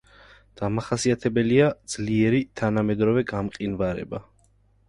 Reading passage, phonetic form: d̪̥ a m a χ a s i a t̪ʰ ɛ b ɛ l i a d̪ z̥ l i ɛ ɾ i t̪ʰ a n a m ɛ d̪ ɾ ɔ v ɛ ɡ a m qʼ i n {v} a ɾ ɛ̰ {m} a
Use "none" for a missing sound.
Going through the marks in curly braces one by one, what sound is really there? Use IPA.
v, b

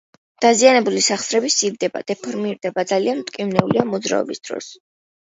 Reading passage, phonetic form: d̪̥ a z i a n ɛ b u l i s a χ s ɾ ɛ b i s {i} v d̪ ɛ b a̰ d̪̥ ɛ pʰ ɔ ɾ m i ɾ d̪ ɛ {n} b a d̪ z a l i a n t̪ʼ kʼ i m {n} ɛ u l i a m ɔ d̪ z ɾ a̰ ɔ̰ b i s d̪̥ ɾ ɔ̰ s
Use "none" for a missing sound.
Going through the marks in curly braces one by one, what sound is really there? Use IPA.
i, none, n

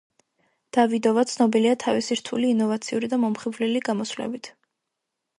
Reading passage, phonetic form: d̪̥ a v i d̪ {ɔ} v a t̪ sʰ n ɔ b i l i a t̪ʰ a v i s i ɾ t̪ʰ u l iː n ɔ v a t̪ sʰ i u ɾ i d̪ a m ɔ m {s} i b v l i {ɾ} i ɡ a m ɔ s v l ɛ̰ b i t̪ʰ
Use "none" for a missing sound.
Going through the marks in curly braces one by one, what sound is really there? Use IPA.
ɔ, χ, l

